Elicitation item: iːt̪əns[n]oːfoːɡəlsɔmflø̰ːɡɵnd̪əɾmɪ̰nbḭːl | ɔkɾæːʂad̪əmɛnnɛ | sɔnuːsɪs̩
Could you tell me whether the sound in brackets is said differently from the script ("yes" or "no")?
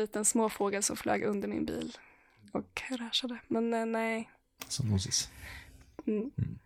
yes